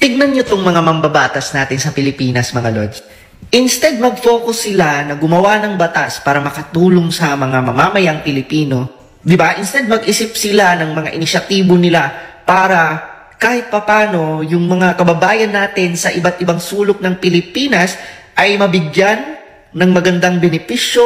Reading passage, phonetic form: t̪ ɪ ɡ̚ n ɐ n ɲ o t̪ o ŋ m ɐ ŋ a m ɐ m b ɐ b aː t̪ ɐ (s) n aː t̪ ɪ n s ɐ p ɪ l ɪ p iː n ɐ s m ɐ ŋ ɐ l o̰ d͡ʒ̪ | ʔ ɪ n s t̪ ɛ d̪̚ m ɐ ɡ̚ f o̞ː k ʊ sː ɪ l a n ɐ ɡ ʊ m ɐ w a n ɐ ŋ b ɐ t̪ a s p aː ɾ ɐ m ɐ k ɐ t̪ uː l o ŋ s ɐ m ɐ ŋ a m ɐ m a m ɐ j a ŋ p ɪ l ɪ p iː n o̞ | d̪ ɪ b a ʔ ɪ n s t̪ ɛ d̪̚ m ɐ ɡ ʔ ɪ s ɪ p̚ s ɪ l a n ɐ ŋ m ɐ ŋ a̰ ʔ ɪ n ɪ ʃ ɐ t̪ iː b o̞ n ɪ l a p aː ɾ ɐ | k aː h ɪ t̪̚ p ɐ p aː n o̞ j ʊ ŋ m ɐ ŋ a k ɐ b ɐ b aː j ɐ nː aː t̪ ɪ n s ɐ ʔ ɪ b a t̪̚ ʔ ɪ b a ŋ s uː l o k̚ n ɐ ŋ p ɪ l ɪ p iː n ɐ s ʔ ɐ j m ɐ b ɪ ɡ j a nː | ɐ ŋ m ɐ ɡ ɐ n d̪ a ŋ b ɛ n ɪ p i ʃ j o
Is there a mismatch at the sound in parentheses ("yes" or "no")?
no